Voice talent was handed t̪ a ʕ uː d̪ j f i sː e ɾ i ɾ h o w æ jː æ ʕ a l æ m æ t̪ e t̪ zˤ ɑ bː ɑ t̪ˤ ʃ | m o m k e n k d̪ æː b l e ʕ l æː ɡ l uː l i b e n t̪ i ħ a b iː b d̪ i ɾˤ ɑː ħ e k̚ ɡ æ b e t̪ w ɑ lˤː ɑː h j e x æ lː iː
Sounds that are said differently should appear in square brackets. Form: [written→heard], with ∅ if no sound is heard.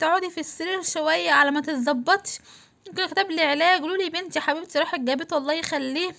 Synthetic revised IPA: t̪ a ʕ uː d̪ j f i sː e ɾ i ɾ [h→ʃ] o w æ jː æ ʕ a l æ m æ t̪ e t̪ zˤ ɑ bː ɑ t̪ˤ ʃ | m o m k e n k [d̪→t̪] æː b l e ʕ l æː ɡ l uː l i b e n t̪ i ħ a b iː b [d̪→t̪] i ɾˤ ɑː ħ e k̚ ɡ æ b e t̪ w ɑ lˤː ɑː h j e x æ lː iː